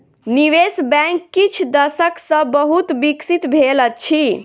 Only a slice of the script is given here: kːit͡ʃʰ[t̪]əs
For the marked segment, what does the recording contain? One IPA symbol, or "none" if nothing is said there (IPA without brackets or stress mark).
d̪